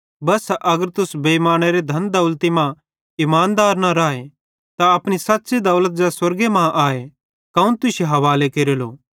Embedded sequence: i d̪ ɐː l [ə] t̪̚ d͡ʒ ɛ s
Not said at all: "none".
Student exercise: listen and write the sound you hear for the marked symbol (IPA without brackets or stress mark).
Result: ə